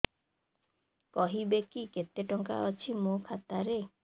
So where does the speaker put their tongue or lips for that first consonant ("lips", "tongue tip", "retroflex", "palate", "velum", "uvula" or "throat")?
velum